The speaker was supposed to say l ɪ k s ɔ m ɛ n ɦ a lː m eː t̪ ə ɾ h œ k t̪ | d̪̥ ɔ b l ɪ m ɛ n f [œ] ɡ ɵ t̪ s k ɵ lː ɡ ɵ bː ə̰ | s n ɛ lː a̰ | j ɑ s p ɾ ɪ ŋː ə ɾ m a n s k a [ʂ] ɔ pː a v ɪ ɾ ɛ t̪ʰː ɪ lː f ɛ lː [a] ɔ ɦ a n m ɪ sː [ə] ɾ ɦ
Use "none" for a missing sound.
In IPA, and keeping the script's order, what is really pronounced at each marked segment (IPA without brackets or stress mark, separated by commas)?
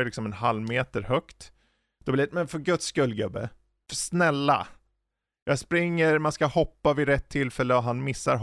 œ, h, ə, a